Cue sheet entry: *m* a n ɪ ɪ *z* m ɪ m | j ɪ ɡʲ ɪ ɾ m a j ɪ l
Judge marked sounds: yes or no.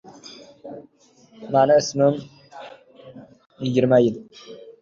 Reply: yes, no

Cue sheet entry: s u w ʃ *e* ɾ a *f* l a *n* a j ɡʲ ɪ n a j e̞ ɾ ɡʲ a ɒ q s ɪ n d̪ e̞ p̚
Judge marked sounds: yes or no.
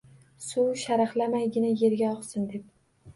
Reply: no, no, no

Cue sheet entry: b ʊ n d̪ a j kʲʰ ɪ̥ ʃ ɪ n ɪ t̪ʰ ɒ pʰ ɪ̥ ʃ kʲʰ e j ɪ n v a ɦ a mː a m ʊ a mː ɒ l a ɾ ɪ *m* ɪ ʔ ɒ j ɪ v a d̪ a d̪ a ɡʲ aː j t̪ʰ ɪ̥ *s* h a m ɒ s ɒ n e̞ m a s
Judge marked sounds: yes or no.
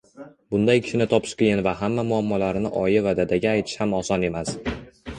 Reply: no, no

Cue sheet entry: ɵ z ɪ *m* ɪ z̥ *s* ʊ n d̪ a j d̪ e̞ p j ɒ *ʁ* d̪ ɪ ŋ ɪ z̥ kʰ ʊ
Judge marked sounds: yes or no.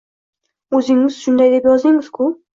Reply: no, no, no

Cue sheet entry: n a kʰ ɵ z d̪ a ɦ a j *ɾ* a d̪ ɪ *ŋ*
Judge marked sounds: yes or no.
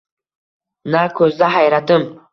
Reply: yes, no

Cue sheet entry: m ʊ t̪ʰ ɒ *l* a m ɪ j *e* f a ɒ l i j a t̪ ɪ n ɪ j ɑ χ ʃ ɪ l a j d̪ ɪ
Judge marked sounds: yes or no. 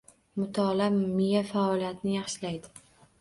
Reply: yes, no

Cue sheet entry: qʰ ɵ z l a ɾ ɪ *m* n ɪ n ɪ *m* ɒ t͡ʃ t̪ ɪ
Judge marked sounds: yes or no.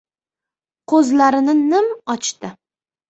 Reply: no, yes

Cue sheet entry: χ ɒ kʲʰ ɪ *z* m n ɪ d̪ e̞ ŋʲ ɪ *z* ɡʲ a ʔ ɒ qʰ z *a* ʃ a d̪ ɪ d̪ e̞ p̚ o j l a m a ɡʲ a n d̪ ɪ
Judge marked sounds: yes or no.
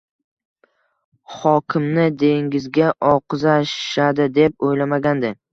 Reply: no, yes, yes

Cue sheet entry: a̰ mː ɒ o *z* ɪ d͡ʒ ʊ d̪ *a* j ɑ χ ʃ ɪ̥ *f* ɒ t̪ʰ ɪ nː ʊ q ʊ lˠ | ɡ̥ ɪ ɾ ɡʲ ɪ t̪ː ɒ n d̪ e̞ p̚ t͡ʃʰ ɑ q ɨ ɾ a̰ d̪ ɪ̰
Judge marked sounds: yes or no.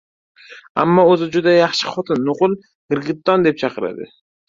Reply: yes, yes, no

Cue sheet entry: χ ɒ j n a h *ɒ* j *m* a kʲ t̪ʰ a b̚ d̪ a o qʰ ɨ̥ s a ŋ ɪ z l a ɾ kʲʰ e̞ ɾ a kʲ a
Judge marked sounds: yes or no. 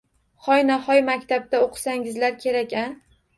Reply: yes, yes

